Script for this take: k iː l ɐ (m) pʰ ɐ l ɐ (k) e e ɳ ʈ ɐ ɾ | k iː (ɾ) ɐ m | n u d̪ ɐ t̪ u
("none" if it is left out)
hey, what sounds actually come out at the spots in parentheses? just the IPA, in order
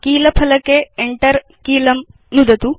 none, k, l

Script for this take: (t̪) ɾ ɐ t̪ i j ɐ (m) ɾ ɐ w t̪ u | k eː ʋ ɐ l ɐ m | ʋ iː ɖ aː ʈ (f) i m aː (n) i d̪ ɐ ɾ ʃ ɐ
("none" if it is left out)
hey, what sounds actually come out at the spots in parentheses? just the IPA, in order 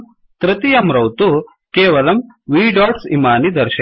t̪, m, s, n

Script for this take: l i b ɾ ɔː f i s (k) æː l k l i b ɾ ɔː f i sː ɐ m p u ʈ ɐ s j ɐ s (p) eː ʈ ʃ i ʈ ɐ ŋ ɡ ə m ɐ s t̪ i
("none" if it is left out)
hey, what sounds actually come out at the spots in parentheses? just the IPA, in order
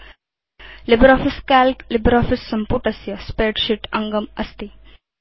k, p

